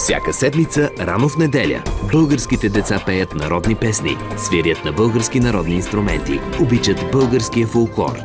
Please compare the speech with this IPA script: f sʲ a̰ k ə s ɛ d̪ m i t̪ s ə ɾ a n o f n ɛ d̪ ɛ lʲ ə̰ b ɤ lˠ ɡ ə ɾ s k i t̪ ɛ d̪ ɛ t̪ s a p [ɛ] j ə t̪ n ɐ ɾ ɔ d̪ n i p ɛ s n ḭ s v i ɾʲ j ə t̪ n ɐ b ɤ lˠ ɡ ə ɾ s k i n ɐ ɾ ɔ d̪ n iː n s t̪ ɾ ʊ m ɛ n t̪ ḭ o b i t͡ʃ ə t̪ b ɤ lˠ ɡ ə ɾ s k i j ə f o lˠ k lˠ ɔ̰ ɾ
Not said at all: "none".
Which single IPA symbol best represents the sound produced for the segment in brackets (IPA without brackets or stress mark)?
ɛ